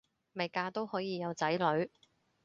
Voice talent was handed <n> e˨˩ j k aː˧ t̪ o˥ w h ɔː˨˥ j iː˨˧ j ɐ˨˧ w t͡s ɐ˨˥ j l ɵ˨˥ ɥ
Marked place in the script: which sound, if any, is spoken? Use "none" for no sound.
m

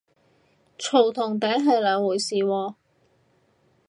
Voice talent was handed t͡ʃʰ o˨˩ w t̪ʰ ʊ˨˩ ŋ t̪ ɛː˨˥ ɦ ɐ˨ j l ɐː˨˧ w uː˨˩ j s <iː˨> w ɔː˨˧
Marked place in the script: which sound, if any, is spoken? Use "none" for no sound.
iː˨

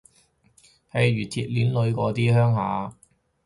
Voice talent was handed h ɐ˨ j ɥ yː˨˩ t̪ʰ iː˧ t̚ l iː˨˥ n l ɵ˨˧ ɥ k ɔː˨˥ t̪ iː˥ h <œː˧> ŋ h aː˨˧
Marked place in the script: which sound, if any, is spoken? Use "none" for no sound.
œː˥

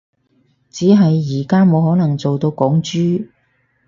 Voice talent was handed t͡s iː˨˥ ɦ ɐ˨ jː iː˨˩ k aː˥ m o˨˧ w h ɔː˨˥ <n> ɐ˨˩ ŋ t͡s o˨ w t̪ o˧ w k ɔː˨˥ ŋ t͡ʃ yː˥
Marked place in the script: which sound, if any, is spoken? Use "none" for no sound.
n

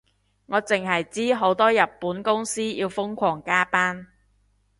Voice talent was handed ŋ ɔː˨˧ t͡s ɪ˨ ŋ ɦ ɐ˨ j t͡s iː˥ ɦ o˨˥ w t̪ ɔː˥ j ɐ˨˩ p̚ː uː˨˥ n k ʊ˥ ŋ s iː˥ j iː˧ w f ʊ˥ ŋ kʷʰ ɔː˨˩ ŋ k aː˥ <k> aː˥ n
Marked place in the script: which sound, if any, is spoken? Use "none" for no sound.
p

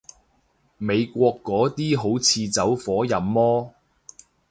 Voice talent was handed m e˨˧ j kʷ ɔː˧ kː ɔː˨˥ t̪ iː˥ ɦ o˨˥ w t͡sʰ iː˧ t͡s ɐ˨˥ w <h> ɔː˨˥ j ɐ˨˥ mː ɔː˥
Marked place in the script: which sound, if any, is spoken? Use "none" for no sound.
f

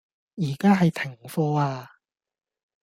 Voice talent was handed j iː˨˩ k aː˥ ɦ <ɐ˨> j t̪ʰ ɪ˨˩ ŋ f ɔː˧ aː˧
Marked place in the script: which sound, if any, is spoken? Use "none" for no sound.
ɐ˨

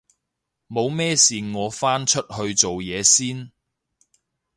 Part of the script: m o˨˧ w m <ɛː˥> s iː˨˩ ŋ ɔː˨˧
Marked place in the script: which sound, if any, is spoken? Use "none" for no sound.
ɛː˥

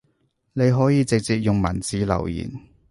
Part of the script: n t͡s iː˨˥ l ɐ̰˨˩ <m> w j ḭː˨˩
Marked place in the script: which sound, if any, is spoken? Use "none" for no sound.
none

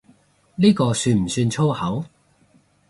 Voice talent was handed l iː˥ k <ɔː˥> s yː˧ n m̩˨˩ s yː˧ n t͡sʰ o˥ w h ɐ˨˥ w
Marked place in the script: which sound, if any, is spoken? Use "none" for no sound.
ɔː˧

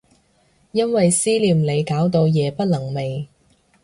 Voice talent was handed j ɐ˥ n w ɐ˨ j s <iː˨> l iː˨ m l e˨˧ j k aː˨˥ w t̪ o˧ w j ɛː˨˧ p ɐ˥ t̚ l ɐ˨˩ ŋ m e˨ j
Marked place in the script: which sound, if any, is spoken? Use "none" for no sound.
iː˥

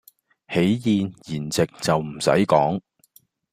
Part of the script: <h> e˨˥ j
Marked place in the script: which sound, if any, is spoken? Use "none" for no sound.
h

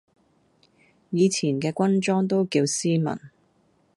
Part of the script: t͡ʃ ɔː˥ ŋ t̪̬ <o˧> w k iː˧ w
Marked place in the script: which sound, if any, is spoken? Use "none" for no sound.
o˥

